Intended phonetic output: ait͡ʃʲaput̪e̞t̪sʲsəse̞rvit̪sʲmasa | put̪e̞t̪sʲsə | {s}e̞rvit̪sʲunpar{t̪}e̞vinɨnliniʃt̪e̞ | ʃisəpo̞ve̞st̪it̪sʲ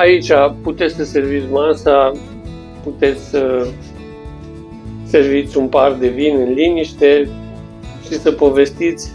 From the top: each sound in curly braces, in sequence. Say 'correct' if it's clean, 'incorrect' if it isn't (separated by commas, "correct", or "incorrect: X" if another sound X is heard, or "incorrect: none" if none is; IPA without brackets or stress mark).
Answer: correct, incorrect: d̪